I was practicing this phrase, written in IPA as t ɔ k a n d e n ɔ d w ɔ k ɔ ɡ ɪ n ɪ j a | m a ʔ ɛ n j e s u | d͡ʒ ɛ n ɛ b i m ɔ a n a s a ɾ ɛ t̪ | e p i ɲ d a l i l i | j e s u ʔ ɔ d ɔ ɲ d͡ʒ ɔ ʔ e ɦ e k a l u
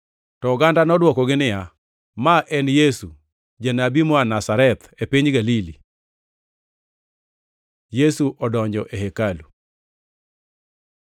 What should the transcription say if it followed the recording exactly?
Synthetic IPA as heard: t ɔ ɡ a n d a n ɔ d w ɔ k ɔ ɡ ɪ n ɪ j a | m a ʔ ɛ n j e s u | d͡ʒ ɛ n a b i m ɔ a n a s a ɾ ɛ t̪ | e p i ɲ ɡ a l i l i | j e s u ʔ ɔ d ɔ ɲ d͡ʒ ɔ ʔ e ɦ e k a l u